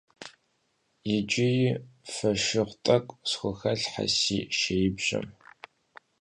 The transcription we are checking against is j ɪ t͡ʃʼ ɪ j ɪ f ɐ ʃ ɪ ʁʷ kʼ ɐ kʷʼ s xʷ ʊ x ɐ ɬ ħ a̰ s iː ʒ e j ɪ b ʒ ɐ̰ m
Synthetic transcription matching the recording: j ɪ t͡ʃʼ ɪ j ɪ f ɐ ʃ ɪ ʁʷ tʼ ɐ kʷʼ s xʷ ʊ x ɐ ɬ ħ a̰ s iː ʃ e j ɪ b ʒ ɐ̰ m